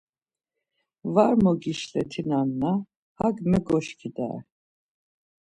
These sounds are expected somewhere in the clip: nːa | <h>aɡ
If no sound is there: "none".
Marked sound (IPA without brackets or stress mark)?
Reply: h